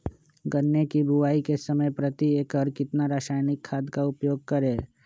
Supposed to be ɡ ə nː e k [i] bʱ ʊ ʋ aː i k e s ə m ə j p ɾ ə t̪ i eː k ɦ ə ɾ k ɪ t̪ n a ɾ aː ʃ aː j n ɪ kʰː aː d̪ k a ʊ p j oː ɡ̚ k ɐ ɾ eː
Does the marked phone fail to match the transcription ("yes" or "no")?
no